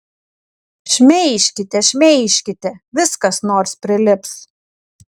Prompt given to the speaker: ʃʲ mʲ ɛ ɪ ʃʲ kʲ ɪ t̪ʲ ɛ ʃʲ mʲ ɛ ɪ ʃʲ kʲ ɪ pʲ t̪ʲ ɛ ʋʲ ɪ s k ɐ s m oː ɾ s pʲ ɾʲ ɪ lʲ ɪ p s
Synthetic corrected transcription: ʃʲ mʲ ɛ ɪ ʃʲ kʲ ɪ t̪ʲ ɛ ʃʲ mʲ ɛ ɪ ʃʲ kʲ ɪ t̪ʲ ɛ ʋʲ ɪ s k ɐ s n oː ɾ s pʲ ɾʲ ɪ lʲ ɪ p s